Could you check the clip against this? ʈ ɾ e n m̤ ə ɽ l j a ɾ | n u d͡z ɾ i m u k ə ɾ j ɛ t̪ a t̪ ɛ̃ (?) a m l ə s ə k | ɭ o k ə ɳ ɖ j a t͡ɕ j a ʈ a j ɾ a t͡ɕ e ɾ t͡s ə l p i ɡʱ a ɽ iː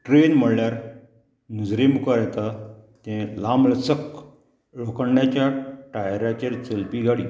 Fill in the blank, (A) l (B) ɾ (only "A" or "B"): A